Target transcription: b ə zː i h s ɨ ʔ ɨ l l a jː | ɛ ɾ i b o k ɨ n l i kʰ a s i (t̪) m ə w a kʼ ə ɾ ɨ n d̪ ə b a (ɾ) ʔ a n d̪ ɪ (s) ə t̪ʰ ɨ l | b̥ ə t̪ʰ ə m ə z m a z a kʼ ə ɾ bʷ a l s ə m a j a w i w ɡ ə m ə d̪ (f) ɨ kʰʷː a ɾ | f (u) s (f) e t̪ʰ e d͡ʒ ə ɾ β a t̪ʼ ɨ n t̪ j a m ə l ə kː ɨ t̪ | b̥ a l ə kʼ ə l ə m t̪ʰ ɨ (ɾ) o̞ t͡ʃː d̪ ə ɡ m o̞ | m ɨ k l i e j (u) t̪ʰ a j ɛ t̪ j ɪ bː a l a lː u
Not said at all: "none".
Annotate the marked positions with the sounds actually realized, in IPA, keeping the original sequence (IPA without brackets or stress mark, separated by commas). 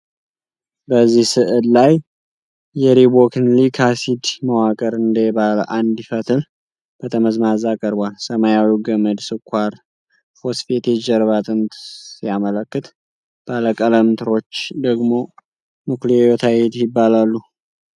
d̪, l, f, s, o, f, ɾ, o